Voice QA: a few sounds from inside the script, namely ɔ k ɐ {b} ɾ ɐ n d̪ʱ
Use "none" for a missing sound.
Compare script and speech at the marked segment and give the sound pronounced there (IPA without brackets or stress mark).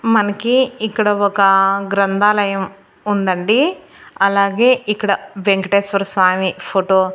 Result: ɡ